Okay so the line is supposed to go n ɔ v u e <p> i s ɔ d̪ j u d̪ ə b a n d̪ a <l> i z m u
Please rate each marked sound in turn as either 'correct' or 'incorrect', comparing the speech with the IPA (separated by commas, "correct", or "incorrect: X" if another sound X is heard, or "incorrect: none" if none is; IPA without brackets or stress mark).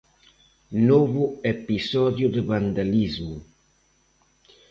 correct, correct